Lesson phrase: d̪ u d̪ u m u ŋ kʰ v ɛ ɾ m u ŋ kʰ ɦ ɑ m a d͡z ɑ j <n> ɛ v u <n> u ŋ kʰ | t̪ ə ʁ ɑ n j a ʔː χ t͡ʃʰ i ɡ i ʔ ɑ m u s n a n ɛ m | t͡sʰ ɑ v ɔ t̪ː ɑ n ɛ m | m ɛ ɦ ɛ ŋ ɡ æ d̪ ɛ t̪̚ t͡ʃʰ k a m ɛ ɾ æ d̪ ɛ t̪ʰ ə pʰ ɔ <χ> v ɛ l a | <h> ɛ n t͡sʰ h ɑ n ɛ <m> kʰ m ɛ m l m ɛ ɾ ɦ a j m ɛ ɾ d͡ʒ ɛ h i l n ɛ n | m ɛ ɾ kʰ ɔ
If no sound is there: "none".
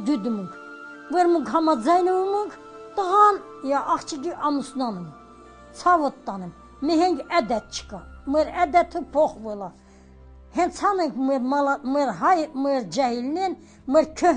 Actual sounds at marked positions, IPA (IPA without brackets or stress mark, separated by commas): n, m, χ, h, ŋ